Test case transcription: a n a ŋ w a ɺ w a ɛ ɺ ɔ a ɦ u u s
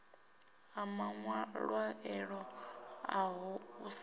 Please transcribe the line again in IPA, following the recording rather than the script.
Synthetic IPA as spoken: a m a ŋ w a ɺ w a ɛ ɺ ɔ a ɦ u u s